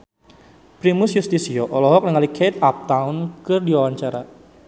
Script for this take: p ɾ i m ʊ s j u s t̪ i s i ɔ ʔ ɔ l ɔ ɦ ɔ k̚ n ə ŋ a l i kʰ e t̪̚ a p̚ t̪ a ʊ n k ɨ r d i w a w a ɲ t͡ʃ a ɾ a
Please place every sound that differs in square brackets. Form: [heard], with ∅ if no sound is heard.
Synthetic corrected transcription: p ɾ i m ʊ s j u s t̪ i s i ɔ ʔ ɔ l ɔ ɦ ɔ k̚ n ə ŋ a l i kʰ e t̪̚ a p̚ t̪ a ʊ n k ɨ r d i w a w a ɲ t͡ʃ a ɾ a